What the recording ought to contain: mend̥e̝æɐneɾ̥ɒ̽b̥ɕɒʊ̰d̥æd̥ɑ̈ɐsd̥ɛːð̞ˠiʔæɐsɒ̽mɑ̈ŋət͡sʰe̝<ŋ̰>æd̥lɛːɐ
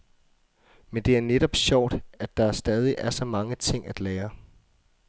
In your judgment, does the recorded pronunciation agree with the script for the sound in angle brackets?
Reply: yes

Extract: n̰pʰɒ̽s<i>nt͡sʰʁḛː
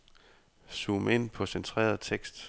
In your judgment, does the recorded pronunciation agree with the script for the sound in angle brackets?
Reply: no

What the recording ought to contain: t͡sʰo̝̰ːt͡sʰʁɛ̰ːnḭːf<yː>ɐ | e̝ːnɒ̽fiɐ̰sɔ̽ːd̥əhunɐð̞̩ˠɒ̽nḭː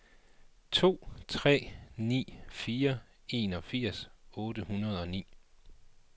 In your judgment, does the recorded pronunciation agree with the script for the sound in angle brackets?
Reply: no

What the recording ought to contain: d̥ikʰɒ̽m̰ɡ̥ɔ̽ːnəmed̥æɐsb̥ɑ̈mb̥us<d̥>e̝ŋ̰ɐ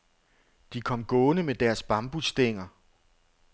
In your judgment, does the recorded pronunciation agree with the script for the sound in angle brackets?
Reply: yes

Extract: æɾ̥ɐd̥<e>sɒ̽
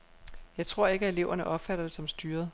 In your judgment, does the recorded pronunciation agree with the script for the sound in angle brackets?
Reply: yes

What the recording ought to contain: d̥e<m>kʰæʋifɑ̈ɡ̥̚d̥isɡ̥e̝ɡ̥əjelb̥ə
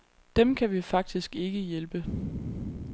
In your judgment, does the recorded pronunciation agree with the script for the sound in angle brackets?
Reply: yes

